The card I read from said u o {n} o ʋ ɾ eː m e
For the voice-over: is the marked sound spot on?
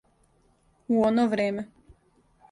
yes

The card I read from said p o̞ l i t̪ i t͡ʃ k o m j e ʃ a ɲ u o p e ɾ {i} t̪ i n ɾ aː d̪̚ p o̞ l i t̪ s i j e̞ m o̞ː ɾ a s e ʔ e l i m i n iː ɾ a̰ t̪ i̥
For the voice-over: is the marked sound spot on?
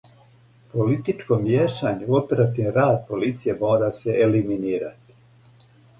no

